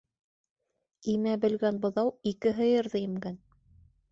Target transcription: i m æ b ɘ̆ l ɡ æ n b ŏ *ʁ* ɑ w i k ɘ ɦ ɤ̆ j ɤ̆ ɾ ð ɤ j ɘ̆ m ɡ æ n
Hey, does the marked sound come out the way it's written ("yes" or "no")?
no